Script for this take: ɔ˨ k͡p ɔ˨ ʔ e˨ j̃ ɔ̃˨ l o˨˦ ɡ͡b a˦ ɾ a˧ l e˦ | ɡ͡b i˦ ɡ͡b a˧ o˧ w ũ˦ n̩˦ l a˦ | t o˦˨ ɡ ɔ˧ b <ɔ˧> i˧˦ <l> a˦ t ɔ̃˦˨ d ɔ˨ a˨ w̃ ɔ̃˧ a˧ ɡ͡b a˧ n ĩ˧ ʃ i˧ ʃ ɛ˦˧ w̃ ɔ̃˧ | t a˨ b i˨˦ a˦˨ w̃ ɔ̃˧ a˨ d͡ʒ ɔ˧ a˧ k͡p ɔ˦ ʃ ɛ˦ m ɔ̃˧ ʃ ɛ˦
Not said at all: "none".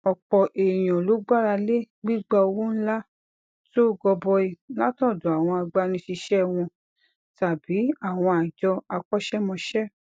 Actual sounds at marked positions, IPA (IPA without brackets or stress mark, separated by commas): ɔ˧, l